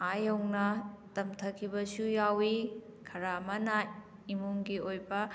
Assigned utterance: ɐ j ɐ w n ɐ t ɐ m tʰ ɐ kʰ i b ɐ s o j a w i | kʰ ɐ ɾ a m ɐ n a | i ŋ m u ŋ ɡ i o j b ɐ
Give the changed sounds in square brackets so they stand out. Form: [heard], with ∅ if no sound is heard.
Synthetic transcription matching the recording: [a] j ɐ w n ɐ t ɐ m tʰ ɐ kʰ i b ɐ s [u] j a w i | kʰ ɐ ɾ a m ɐ n a | i [∅] m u ŋ ɡ i o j b ɐ